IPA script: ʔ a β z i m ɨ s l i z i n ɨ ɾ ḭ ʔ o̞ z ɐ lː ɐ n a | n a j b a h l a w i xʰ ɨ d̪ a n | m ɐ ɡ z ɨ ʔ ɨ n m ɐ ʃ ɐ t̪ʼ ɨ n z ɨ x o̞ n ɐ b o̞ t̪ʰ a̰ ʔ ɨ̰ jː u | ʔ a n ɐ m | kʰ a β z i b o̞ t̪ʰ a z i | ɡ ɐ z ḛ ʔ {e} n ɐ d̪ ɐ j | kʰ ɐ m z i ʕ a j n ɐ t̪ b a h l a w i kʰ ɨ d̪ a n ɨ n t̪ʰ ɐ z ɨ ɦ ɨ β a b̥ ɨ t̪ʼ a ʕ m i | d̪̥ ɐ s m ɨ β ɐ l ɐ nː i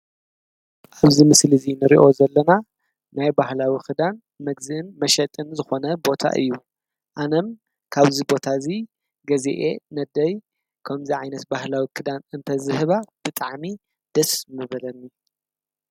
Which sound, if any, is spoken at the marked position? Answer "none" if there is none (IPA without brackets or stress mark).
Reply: e